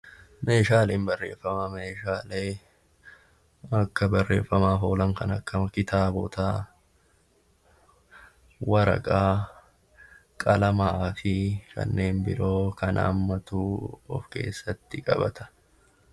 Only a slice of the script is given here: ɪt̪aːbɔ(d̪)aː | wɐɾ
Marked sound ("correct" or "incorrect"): incorrect